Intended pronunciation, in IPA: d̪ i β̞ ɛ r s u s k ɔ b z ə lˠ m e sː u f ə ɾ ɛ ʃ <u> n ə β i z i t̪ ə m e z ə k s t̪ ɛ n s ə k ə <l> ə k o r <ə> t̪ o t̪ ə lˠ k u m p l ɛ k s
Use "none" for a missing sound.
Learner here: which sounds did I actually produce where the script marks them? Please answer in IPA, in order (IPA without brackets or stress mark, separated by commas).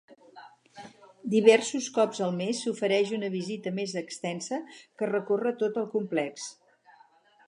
u, r, ə